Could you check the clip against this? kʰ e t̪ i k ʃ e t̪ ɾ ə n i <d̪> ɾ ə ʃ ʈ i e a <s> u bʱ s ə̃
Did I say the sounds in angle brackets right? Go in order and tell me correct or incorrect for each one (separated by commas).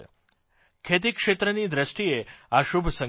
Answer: correct, incorrect